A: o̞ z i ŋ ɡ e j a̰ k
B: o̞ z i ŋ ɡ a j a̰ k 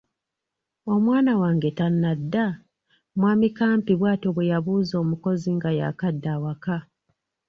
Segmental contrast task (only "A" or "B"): B